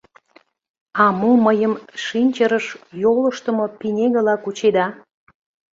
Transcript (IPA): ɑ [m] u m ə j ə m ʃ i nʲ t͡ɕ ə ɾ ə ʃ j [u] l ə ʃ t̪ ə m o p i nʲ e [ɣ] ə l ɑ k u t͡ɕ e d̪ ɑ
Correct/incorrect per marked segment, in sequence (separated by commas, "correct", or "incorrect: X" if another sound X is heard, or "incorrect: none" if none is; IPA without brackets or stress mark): correct, incorrect: o, correct